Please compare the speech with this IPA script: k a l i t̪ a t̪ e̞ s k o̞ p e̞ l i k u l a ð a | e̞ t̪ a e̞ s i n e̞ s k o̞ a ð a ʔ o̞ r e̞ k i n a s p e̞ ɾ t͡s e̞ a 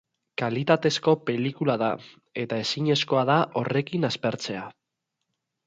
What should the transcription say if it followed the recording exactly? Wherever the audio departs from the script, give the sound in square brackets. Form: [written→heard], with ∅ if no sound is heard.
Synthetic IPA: k a l i t̪ a t̪ e̞ s k o̞ p e̞ l i k u l a ð a | e̞ t̪ a e̞ s i [n→ɲ] e̞ s k o̞ a ð a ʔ o̞ r e̞ k i n a s p e̞ ɾ t͡s e̞ a